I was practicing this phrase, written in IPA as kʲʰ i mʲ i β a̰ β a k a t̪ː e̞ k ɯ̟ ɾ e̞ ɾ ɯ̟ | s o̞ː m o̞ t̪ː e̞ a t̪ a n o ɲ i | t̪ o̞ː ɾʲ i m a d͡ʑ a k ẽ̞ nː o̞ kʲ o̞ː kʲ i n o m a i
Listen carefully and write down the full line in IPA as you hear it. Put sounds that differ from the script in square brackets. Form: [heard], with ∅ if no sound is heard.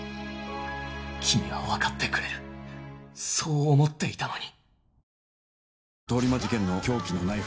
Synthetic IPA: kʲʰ i mʲ i β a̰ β a k a t̪ː e̞ k ɯ̟ ɾ e̞ ɾ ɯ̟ | s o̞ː m o̞ t̪ː e̞ [i] t̪ a n o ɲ i | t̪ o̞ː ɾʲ i m a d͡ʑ [i] k ẽ̞ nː o̞ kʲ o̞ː kʲ i n o [n] a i